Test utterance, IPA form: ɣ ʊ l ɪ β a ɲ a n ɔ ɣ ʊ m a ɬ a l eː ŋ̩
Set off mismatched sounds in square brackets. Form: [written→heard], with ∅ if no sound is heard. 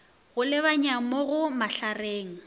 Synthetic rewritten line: ɣ ʊ l ɪ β a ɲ a [n→m] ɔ ɣ ʊ m a ɬ a [l→r] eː ŋ̩